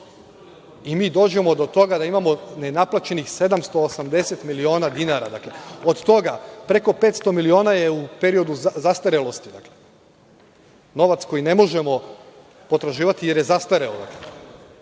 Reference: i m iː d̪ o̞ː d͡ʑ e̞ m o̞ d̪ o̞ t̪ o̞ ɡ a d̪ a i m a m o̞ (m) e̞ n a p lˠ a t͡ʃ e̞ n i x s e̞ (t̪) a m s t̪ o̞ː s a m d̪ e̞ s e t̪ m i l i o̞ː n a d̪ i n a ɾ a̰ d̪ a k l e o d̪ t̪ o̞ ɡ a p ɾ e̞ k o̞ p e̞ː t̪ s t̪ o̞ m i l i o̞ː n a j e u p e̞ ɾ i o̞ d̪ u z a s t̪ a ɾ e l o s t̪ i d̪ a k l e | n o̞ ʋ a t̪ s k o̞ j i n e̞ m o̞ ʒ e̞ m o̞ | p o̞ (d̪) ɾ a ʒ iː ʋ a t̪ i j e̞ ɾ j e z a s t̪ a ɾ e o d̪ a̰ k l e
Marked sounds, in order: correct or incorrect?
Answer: incorrect: n, incorrect: d̪, incorrect: t̪

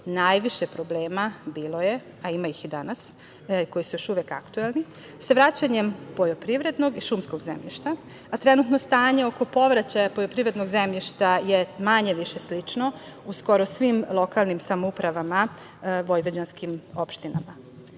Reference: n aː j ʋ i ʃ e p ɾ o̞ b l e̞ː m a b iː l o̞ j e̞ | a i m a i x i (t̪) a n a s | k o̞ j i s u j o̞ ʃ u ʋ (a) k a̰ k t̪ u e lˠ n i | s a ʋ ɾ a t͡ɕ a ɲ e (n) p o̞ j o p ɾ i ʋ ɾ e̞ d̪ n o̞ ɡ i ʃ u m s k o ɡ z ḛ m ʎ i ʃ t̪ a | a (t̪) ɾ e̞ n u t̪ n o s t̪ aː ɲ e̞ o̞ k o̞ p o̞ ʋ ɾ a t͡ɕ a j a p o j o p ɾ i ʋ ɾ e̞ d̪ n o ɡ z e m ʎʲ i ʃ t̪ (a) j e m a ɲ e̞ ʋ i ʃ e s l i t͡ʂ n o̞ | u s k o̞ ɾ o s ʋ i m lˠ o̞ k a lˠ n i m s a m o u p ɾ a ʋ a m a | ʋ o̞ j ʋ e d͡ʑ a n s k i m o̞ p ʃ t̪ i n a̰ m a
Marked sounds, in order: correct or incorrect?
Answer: incorrect: d̪, incorrect: e, incorrect: m, correct, correct

